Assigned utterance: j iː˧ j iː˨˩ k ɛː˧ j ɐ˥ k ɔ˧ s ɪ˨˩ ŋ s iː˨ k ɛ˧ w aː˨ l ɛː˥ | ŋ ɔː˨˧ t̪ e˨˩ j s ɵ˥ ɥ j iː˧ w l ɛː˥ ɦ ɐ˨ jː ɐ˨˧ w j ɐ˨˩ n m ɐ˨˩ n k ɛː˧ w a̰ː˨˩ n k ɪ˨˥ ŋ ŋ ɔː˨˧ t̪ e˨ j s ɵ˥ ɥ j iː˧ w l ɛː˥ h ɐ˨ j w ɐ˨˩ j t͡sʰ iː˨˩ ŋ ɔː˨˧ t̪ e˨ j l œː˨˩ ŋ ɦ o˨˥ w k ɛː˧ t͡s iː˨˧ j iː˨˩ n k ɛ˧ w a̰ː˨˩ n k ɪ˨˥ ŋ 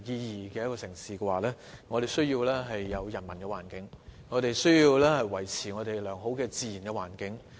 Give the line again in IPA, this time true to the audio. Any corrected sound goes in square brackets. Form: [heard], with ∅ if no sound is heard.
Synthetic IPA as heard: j iː˧ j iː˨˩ k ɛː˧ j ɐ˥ k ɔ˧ s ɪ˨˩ ŋ s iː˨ k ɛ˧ w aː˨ l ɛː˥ | ŋ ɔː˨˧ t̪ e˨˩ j s ɵ˥ ɥ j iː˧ w l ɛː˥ ɦ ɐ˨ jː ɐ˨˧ w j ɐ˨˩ n m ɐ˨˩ n k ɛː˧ w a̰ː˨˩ n k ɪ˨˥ ŋ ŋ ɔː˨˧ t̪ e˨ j s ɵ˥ ɥ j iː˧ w l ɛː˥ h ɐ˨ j w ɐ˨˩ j t͡sʰ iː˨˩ ŋ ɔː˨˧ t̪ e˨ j l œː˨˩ ŋ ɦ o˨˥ w k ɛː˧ t͡s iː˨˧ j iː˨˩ n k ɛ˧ w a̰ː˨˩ n k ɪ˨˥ ŋ